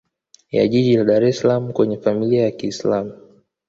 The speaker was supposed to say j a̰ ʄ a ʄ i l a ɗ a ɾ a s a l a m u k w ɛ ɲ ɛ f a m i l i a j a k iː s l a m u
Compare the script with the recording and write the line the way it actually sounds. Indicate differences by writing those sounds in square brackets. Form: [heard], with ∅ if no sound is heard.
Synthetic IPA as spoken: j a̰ ʄ [i] ʄ i l a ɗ a ɾ [ɛ] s a l a m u k w ɛ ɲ ɛ f a m i l i a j a k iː s l a m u